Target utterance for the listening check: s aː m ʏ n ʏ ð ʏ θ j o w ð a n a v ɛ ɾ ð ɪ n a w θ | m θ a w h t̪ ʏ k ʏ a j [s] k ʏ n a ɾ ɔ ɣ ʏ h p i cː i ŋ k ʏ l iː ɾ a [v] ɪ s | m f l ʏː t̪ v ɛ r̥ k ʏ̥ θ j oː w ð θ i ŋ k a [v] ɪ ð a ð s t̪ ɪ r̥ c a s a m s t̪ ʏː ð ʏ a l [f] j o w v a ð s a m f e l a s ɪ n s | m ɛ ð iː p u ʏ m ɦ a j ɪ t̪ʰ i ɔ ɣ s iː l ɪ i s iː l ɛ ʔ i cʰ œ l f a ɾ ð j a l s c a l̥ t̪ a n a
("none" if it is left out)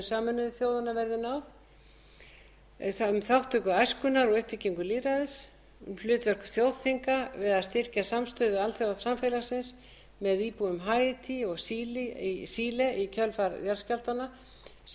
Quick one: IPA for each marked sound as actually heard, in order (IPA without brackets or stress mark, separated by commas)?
s, ð, v, θ